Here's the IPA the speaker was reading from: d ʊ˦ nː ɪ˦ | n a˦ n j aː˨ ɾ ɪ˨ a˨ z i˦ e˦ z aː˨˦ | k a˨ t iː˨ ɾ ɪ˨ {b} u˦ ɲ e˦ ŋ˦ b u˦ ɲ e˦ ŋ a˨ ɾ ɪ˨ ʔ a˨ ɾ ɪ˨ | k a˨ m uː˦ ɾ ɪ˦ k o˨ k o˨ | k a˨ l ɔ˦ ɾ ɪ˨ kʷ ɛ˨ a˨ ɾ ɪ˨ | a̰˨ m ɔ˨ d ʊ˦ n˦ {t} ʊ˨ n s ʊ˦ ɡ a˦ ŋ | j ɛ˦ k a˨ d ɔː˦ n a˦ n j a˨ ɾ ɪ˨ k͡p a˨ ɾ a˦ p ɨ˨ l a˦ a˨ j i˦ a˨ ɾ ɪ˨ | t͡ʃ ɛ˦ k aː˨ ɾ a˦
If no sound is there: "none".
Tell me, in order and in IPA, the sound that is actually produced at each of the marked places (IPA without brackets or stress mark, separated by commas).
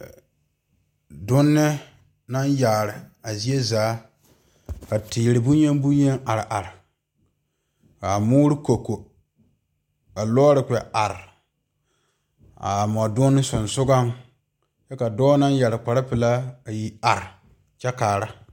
b, s